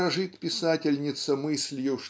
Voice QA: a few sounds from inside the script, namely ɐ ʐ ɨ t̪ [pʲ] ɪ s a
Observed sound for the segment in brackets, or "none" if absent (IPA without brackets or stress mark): pʲ